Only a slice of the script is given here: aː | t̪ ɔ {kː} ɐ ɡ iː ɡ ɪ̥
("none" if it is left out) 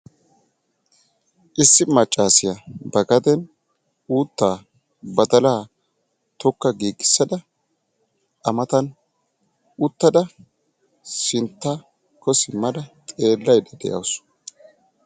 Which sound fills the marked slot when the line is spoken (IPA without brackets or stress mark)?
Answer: kː